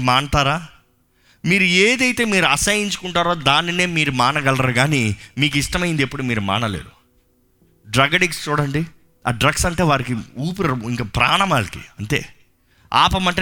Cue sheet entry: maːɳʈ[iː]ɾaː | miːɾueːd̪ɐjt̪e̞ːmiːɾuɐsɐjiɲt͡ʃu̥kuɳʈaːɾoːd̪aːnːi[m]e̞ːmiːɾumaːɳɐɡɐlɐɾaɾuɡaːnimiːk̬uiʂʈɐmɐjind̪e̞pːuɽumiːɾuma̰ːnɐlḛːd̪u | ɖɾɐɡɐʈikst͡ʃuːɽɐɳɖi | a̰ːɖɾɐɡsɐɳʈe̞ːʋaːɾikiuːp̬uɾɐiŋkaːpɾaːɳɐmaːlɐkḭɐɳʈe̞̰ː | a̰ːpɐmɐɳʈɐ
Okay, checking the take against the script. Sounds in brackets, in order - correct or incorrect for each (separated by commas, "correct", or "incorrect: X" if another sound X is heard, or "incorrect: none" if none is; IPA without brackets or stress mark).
incorrect: aː, incorrect: n